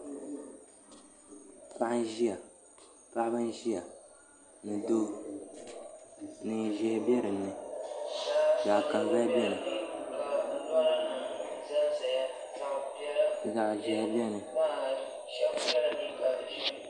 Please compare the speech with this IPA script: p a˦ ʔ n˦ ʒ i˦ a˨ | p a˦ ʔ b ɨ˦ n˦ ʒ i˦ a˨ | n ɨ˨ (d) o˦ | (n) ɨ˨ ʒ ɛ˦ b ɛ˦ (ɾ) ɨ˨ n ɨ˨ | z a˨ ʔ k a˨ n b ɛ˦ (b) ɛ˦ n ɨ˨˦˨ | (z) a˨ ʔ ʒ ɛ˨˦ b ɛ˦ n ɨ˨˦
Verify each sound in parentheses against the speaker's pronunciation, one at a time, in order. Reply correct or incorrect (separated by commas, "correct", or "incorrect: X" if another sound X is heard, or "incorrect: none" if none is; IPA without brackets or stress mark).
correct, correct, correct, correct, correct